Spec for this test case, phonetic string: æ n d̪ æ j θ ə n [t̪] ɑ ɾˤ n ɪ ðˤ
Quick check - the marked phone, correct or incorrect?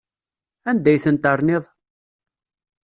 correct